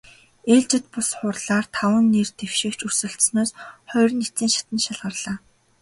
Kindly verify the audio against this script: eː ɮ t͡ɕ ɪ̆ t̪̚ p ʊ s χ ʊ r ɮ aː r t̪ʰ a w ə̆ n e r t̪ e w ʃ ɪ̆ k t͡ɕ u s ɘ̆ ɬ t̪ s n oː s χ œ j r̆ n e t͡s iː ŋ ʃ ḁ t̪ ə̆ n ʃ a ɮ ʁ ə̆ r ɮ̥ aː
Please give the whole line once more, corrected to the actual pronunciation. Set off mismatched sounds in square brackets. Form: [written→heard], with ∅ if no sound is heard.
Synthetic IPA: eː ɮ t͡ɕ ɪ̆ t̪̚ p ʊ s χ ʊ r ɮ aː r t̪ʰ a w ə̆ [n→nː] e r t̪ e w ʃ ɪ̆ k t͡ɕ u s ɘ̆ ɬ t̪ s n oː s χ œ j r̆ n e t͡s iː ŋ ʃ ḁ t̪ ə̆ n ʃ a ɮ ʁ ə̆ r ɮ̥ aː